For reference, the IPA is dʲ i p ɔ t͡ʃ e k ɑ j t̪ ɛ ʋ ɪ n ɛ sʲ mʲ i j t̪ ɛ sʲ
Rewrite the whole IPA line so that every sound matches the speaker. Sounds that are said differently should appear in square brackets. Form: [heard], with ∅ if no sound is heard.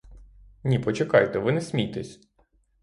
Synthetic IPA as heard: [nʲ] i p ɔ t͡ʃ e k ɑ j t̪ ɛ ʋ ɪ n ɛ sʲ mʲ i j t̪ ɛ sʲ